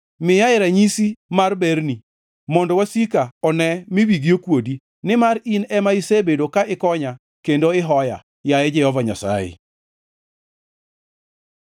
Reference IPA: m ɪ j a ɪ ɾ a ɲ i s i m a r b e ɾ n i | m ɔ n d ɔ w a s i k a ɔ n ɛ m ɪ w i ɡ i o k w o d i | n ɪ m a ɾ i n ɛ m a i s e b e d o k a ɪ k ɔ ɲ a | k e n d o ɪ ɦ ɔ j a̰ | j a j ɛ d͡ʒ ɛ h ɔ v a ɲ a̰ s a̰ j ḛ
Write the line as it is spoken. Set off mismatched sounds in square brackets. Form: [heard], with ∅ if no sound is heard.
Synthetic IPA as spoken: m ɪ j a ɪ ɾ a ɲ i s i m a r b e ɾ n i | m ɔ n d ɔ w a s i k a ɔ n ɛ m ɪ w i ɡ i o k w o d i | n ɪ m a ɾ i n ɛ m a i s e b e d o k a ɪ k ɔ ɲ a | k e n d o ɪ ɦ ɔ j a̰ | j a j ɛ d͡ʒ ɛ h ɔ v a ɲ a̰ s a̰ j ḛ